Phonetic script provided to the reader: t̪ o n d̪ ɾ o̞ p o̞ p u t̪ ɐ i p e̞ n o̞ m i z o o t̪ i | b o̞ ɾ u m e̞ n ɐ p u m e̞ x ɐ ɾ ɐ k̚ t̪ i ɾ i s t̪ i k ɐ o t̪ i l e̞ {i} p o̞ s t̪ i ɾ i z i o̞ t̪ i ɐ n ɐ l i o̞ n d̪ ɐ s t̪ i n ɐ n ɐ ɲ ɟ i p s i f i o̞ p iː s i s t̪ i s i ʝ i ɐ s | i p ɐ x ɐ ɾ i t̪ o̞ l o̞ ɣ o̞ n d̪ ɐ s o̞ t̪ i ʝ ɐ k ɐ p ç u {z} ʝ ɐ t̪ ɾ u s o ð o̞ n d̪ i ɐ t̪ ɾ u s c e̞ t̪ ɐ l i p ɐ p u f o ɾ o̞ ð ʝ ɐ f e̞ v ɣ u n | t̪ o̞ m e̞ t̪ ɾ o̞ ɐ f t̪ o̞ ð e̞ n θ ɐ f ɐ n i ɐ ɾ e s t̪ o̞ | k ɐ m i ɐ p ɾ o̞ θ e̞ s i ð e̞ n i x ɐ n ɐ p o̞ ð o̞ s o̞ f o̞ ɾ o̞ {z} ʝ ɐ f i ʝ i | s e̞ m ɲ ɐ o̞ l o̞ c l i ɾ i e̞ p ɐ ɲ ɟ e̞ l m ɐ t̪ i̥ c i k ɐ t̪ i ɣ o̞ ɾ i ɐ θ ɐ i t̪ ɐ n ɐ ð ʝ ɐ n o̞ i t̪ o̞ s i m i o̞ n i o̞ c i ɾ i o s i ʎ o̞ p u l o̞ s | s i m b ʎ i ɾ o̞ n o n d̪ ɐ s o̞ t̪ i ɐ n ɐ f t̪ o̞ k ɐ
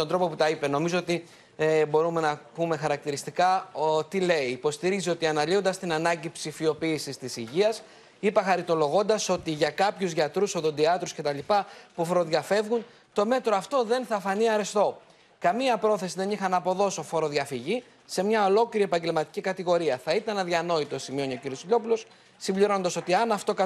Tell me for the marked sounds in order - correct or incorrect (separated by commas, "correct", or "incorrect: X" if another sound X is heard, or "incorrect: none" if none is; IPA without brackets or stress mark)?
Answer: incorrect: iː, correct, incorrect: ð